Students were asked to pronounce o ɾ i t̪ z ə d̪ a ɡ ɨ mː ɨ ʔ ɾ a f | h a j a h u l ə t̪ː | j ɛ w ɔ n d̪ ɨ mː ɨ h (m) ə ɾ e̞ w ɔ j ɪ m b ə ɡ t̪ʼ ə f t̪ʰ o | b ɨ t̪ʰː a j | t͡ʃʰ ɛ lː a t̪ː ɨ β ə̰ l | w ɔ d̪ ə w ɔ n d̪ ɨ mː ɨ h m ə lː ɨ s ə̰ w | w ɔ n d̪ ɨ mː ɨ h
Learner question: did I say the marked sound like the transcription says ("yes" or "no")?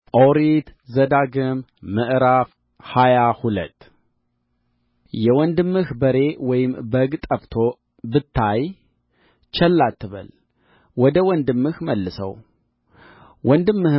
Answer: no